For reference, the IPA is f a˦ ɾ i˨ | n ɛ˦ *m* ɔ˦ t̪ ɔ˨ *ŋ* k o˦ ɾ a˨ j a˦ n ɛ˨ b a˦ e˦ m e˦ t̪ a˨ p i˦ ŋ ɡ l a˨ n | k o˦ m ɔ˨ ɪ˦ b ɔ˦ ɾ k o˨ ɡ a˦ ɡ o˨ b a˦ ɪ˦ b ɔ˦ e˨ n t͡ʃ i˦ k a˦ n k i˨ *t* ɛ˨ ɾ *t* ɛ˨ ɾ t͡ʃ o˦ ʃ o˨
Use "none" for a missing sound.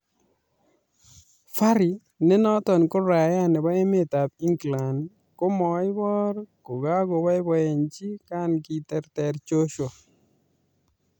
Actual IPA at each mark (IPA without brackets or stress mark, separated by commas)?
n, n, t, t